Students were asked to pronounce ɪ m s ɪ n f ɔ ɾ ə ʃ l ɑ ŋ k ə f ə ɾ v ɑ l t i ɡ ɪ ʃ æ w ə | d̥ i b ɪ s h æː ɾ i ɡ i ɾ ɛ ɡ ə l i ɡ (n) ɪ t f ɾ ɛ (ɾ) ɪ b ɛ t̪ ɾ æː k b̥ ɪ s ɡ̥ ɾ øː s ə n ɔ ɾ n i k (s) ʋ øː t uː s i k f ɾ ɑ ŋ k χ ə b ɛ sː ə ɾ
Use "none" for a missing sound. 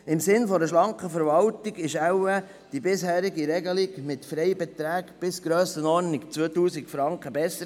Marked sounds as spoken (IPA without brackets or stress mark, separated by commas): m, none, t͡s